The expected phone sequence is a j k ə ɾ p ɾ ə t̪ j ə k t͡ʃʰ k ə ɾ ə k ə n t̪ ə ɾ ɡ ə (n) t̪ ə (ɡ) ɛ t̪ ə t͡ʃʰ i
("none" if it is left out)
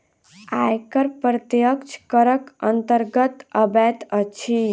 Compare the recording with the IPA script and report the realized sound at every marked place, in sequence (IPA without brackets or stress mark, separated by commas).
none, b